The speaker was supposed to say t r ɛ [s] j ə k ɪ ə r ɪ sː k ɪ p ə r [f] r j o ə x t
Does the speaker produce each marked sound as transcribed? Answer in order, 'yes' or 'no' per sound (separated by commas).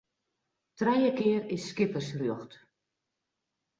no, no